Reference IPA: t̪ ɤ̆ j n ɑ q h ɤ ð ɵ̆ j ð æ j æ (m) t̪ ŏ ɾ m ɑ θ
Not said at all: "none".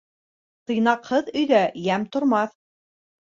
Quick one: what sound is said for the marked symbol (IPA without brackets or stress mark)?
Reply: m